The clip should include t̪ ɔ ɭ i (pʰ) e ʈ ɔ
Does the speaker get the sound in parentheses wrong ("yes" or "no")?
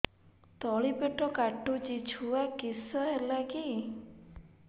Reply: yes